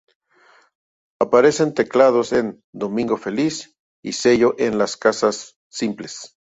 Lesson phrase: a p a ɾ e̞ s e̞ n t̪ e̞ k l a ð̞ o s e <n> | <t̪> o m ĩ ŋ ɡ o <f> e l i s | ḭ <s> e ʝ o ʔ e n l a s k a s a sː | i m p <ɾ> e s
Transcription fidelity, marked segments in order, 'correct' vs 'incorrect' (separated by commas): correct, incorrect, correct, correct, incorrect